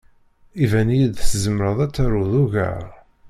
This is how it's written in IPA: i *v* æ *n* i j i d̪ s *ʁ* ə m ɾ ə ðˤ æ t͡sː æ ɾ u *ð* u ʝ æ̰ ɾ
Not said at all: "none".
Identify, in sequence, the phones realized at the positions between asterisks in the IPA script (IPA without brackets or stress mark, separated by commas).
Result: v, n, z, ð